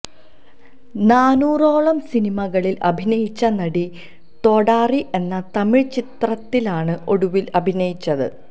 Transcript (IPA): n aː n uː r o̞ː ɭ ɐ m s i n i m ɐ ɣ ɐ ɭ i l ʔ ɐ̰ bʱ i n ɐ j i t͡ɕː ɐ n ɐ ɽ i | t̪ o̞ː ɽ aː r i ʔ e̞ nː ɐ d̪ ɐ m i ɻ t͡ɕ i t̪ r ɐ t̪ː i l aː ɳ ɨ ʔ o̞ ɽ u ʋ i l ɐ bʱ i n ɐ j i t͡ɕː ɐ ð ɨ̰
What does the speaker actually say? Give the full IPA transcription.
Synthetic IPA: n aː n uː r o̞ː ɭ ɐ m s i n i m ɐ ɣ ɐ ɭ i l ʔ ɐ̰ bʱ i n ɐ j i t͡ɕː ɐ n ɐ ɽ i | t̪ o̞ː ɽ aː r i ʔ e̞ nː ɐ t̪ ɐ m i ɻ t͡ɕ i t̪ r ɐ t̪ː i l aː ɳ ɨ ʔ o̞ ɽ u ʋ i l ɐ bʱ i n ɐ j i t͡ɕː ɐ ð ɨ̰

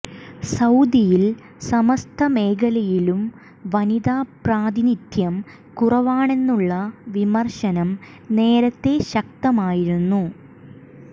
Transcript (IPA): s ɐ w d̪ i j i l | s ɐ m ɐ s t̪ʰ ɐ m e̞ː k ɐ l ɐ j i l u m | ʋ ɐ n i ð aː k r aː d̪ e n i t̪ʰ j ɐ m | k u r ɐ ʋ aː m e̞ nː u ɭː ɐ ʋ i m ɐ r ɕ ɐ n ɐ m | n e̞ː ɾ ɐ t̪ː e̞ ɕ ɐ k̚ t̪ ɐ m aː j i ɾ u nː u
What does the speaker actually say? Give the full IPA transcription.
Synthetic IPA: s ɐ w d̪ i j i l | s ɐ m ɐ s t̪ʰ ɐ m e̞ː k ɐ l ɐ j i l u m | ʋ ɐ n i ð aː p r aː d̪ i n i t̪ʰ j ɐ m | k u r ɐ ʋ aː ɳ e̞ nː u ɭː ɐ ʋ i m ɐ r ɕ ɐ n ɐ m | n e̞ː ɾ ɐ t̪ː e̞ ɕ ɐ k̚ t̪ ɐ m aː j i ɾ u nː u

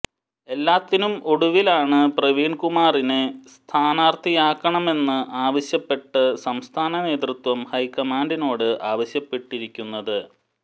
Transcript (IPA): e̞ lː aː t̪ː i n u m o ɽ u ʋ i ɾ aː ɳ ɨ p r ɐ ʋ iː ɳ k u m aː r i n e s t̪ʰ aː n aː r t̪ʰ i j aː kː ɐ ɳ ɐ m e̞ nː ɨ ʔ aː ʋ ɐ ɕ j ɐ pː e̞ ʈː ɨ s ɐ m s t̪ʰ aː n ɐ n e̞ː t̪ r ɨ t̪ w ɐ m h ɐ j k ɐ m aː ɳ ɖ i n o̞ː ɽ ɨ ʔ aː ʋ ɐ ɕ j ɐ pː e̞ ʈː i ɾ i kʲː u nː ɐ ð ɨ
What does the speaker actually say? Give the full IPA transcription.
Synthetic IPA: e̞ lː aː t̪ː i n u m o ɽ u ʋ i l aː ɳ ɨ p r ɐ ʋ iː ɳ k u m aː r i n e s t̪ʰ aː n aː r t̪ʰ i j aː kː ɐ ɳ ɐ m e̞ nː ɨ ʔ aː ʋ ɐ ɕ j ɐ pː e̞ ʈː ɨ s ɐ m s t̪ʰ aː n ɐ n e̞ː t̪ r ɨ t̪ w ɐ m h ɐ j k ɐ m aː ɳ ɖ i n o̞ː ɽ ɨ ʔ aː ʋ ɐ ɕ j ɐ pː e̞ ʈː i ɾ i kʲː u nː ɐ ð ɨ

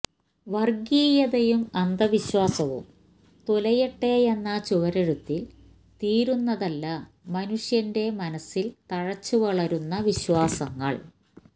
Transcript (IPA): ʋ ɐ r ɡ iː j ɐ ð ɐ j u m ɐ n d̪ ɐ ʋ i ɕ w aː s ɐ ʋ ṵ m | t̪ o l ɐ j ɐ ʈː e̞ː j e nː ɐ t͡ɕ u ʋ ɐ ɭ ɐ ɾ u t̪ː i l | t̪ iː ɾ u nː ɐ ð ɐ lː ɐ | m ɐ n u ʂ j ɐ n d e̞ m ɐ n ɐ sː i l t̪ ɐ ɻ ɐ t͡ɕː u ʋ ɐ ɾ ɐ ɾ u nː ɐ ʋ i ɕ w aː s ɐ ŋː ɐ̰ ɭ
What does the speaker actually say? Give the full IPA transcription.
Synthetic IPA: ʋ ɐ r ɡ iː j ɐ ð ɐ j u m ɐ n d̪ ɐ ʋ i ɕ w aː s ɐ ʋ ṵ m | t̪ o l ɐ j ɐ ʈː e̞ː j e nː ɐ t͡ɕ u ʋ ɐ ɾ ɐ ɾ u t̪ː i l | t̪ iː ɾ u nː ɐ ð ɐ lː ɐ | m ɐ n u ʂ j ɐ n d e̞ m ɐ n ɐ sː i l t̪ ɐ ɻ ɐ t͡ɕː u ʋ ɐ ɭ ɐ ɾ u nː ɐ ʋ i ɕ w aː s ɐ ŋː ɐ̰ ɭ

